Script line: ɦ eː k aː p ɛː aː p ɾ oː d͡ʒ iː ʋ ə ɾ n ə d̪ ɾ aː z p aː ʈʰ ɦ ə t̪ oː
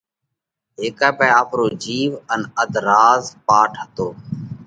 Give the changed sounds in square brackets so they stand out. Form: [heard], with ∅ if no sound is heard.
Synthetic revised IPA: ɦ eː k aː p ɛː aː p ɾ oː d͡ʒ iː ʋ ə [∅] n ə d̪ ɾ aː z p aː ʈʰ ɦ ə t̪ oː